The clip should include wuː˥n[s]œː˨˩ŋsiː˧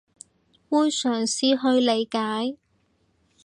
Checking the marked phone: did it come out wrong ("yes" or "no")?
no